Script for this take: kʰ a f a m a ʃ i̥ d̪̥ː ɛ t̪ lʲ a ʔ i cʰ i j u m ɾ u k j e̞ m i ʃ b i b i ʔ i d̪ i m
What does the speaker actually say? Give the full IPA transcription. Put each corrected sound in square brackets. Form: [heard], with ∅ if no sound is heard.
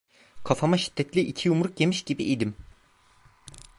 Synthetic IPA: kʰ a f a m a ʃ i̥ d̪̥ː ɛ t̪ lʲ [i] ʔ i cʰ i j u m ɾ u k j e̞ m i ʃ [ɟ] i b i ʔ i d̪ i m